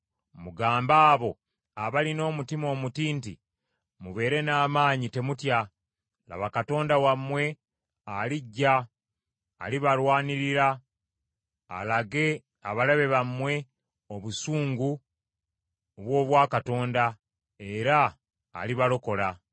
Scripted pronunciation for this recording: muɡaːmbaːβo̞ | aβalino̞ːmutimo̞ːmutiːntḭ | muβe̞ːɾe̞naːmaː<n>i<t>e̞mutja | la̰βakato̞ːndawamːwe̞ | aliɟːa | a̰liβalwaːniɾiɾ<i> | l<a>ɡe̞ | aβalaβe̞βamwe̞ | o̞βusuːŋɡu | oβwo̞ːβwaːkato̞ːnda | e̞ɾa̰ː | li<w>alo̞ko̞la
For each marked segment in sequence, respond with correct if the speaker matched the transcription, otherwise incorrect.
incorrect, correct, incorrect, correct, incorrect

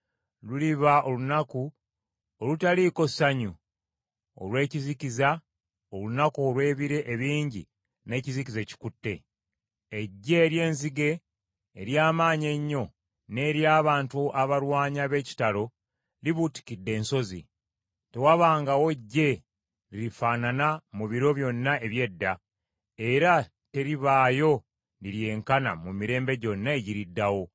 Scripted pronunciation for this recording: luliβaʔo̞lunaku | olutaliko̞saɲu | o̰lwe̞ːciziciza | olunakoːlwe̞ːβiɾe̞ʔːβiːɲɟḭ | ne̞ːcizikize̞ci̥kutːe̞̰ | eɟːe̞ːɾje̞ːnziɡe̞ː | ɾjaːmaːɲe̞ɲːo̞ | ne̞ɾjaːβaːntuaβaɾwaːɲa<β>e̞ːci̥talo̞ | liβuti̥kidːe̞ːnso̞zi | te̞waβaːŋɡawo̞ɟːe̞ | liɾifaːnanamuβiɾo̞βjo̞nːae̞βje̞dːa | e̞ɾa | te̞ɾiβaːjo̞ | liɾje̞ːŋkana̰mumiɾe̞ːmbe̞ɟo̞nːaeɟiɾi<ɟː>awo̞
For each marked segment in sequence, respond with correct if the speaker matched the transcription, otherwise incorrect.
correct, incorrect

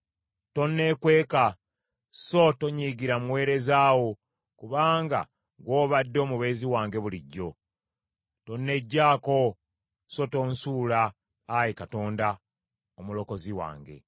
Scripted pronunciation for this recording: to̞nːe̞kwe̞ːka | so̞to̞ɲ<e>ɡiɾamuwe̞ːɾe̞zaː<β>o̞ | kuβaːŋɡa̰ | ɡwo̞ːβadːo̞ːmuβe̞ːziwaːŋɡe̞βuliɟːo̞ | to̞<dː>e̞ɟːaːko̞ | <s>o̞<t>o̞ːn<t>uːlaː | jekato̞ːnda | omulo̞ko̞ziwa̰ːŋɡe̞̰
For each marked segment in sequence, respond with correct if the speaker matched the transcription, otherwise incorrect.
incorrect, incorrect, incorrect, correct, correct, incorrect

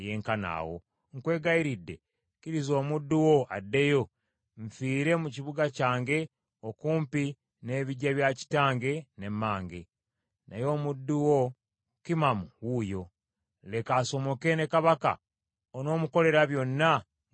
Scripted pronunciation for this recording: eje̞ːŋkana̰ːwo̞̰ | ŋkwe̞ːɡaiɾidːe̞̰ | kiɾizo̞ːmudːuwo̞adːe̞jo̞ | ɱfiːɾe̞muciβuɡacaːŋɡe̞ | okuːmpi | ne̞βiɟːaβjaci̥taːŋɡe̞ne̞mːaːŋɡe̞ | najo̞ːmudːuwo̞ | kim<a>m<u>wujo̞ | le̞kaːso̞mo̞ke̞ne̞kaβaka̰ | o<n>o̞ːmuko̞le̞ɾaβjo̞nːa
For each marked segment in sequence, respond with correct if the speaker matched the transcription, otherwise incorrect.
correct, correct, correct

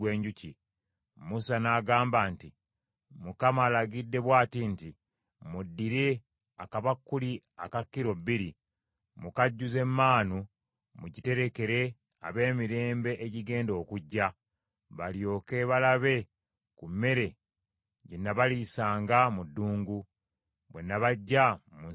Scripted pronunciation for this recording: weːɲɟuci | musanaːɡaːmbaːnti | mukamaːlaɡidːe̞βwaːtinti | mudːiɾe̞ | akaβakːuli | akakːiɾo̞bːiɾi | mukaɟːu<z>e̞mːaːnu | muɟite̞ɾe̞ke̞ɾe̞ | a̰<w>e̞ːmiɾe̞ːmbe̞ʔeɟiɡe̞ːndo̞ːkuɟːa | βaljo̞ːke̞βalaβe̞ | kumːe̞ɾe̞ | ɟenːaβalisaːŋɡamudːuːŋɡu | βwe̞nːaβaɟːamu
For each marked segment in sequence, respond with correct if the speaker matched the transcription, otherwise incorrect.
correct, incorrect

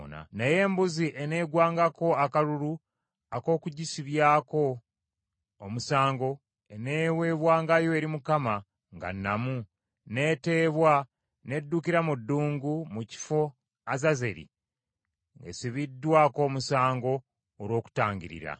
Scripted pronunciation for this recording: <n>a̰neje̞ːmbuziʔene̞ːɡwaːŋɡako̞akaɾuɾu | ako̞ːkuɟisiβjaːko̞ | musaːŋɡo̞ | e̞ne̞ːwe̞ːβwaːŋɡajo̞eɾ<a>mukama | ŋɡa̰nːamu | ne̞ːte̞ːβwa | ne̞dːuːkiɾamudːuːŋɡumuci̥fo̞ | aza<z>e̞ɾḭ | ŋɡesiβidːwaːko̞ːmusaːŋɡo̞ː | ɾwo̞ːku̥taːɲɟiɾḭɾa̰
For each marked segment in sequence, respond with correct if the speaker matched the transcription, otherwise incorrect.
correct, incorrect, correct

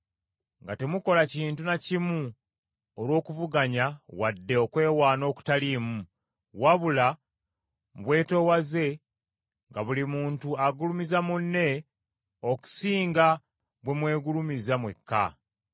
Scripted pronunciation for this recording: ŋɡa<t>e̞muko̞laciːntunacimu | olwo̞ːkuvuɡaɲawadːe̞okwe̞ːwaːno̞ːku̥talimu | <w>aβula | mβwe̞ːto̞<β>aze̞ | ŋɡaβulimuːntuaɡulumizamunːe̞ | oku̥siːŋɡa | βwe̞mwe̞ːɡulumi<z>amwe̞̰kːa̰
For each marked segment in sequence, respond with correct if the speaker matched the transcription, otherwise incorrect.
correct, correct, incorrect, correct

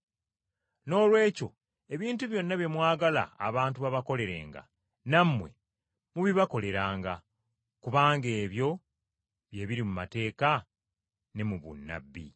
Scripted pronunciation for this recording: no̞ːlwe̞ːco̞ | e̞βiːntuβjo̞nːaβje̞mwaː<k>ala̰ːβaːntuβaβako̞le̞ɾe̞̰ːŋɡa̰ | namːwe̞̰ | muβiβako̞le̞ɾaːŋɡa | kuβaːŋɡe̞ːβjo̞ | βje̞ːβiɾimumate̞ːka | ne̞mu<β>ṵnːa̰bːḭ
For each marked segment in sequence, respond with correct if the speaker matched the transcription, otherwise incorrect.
incorrect, correct

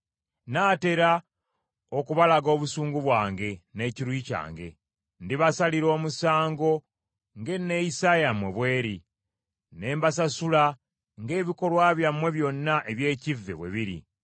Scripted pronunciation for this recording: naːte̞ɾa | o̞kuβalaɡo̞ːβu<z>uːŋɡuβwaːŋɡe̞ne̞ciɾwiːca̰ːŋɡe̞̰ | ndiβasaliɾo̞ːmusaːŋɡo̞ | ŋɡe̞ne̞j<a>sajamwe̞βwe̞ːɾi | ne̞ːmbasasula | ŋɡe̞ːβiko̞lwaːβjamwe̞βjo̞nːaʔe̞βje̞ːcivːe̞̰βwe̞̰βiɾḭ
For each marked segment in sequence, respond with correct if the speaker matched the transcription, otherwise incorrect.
incorrect, incorrect

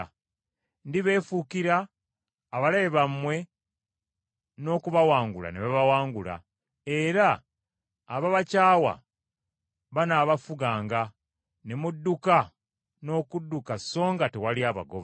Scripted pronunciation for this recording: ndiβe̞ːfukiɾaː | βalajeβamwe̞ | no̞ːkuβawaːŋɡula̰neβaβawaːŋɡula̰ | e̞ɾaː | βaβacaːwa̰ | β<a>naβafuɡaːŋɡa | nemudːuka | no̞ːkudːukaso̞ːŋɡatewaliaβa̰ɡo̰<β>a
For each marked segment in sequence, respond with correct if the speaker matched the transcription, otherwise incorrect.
correct, correct

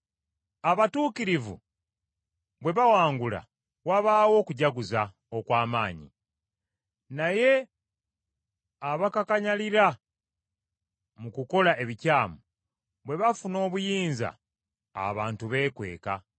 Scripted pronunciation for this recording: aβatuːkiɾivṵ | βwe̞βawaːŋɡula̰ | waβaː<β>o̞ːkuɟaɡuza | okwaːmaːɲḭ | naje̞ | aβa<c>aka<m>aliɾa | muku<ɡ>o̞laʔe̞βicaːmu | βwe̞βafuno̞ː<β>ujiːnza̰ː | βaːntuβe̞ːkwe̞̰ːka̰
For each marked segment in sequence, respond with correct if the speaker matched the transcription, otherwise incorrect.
incorrect, incorrect, incorrect, incorrect, correct

